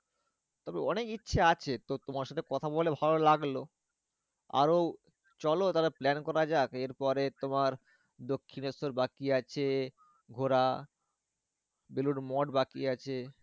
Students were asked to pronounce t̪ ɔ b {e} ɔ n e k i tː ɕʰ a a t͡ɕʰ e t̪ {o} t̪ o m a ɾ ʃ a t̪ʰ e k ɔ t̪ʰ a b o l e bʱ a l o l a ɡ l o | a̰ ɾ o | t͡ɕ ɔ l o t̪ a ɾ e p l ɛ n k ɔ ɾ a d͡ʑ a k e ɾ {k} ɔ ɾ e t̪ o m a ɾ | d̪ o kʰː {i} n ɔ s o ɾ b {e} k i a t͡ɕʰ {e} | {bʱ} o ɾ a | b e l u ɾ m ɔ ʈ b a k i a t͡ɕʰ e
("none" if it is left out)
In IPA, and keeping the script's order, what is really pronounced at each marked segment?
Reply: e, o, p, i, a, e, ɡʱ

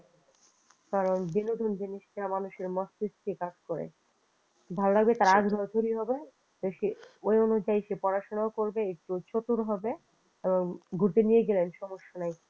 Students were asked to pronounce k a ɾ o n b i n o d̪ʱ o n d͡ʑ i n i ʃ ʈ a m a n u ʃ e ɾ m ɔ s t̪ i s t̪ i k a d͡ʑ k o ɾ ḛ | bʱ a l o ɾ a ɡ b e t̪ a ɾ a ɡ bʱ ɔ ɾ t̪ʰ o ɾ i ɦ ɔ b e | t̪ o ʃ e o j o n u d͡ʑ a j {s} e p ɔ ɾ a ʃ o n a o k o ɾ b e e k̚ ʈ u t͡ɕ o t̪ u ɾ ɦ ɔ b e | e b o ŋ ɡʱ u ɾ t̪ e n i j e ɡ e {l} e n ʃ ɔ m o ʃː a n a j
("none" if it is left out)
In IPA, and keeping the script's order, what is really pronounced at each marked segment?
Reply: ʃ, l

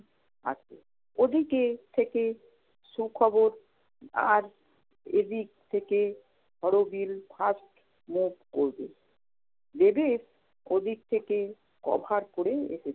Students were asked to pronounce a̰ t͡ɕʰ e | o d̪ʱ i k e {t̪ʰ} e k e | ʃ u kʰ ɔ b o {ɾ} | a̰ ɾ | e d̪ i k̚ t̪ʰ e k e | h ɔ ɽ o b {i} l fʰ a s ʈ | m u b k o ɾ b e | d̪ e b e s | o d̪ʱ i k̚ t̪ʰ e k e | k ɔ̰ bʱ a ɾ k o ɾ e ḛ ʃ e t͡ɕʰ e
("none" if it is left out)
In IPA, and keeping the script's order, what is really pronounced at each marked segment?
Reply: t̪ʰ, ɾ, i

